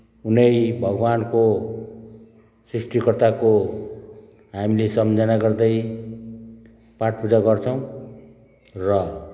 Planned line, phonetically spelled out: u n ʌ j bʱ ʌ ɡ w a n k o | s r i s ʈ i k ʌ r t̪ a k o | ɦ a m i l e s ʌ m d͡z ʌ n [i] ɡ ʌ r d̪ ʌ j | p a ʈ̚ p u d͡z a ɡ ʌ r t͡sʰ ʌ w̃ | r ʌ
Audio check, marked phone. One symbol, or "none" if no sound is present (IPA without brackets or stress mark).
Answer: a